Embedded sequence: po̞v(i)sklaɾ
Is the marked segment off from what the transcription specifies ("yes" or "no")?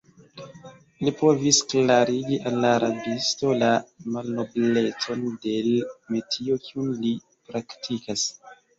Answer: no